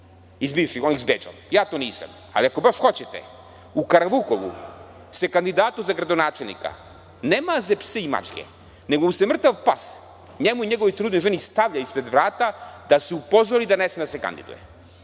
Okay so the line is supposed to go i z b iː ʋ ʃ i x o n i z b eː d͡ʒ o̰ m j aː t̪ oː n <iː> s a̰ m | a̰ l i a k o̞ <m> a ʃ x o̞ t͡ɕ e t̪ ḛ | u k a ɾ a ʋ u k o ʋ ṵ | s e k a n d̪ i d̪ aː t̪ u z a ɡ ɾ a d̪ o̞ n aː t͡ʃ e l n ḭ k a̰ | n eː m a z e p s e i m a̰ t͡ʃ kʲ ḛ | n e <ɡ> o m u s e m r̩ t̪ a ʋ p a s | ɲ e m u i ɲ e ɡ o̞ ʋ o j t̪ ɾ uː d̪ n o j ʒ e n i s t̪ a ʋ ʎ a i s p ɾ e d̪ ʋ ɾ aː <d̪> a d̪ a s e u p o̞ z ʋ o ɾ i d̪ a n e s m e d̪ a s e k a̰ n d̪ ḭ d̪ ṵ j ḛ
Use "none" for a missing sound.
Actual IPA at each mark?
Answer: iː, b, ɡ, t̪

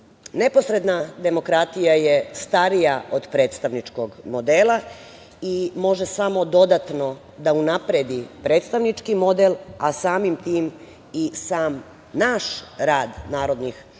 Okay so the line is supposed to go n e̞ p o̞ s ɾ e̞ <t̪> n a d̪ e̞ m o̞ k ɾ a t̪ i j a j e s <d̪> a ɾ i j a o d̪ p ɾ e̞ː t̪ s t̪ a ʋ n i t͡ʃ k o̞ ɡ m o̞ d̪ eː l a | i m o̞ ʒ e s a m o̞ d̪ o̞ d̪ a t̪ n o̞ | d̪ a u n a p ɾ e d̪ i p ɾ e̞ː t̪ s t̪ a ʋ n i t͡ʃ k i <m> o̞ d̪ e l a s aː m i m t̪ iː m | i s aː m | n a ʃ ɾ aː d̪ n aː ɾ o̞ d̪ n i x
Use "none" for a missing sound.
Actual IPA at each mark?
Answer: d̪, t̪, m

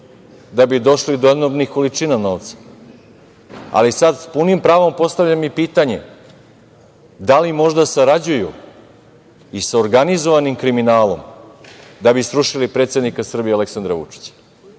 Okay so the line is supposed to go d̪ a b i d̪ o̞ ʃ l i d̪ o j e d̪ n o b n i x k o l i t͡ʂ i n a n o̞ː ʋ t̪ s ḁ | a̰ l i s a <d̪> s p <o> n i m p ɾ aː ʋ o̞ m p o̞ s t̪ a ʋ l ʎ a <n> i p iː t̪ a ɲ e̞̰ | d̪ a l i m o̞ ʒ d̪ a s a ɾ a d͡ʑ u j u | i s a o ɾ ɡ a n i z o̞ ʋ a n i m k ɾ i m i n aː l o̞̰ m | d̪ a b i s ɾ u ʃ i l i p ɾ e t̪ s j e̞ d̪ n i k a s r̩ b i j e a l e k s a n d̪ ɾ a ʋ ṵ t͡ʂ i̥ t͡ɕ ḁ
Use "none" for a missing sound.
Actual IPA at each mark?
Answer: d̪, u, m

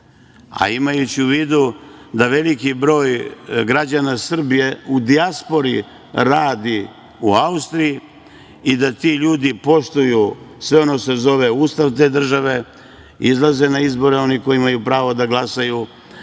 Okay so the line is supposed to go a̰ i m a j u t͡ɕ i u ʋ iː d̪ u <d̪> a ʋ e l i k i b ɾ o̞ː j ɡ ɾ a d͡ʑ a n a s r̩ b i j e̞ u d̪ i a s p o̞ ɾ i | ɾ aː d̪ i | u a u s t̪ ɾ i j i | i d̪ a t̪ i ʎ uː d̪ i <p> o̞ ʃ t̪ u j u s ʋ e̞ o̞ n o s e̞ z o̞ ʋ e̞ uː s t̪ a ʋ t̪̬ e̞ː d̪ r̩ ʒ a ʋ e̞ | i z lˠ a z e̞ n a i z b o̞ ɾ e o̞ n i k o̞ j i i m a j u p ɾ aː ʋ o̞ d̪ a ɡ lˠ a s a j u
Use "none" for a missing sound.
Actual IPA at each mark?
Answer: d̪, p

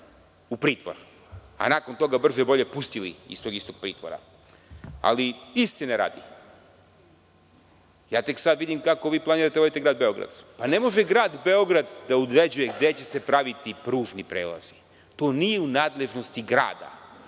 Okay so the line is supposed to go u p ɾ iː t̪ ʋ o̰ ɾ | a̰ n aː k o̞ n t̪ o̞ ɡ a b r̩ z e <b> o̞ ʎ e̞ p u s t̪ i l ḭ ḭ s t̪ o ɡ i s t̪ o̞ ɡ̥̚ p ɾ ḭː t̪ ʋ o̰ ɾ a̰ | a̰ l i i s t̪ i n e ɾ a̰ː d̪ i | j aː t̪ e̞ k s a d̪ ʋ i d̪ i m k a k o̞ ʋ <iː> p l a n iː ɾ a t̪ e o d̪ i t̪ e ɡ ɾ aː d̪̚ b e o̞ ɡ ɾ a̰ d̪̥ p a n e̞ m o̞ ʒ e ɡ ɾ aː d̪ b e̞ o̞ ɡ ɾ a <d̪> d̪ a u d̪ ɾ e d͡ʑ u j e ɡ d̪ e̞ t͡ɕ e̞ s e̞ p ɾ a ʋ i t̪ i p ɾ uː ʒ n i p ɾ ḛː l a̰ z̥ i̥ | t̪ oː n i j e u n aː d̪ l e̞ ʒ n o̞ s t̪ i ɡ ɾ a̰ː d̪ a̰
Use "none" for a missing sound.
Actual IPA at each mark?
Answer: b, iː, d̪

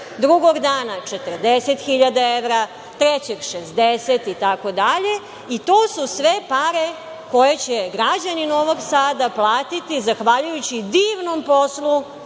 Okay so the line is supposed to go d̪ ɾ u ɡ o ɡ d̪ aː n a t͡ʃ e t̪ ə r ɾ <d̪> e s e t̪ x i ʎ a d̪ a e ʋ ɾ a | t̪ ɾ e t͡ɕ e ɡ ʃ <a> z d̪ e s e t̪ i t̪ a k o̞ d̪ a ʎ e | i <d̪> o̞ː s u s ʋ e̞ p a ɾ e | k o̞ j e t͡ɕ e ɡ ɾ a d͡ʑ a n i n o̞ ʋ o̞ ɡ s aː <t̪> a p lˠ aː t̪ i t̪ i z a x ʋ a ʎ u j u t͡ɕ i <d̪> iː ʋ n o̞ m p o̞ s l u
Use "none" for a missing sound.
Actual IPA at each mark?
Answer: d̪, e, t̪, d̪, d̪

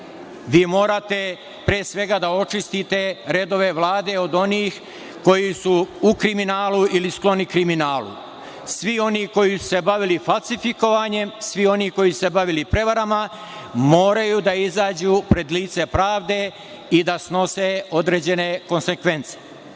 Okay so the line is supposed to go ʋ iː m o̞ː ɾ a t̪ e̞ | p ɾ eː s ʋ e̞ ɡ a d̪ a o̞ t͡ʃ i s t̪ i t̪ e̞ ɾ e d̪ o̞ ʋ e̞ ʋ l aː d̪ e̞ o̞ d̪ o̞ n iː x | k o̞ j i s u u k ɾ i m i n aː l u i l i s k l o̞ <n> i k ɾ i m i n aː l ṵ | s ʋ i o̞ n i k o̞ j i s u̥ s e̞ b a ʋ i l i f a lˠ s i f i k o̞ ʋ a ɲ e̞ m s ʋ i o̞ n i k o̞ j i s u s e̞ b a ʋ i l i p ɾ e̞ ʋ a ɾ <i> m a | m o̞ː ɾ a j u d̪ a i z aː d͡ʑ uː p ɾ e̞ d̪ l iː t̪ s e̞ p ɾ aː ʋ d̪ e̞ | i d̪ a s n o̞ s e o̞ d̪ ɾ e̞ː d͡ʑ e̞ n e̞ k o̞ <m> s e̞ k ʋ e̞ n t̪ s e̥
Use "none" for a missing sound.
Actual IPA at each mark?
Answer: n, a, n

